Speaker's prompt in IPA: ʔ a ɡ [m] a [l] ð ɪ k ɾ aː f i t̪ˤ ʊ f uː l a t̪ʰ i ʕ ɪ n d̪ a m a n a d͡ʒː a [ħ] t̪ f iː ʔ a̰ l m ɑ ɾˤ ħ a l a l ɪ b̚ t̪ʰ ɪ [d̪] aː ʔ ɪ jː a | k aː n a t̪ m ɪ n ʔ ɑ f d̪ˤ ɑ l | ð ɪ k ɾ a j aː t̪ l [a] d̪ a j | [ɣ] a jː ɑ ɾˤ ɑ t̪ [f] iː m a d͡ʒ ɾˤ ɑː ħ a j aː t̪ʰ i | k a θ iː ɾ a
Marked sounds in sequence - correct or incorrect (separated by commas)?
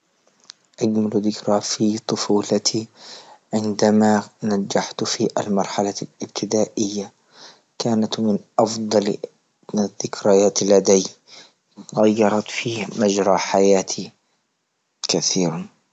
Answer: correct, correct, correct, correct, correct, correct, correct